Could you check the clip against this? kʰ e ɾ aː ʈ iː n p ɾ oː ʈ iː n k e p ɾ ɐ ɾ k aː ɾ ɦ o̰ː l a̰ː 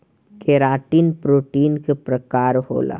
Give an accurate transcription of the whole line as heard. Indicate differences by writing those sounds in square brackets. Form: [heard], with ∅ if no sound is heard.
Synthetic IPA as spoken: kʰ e ɾ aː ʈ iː n p ɾ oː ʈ iː n k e p ɾ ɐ [∅] k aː ɾ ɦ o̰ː l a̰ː